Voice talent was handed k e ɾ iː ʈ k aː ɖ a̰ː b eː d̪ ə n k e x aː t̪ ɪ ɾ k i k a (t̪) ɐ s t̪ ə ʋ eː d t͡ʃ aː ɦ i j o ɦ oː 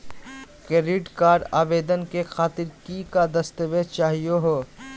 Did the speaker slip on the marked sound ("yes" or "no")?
yes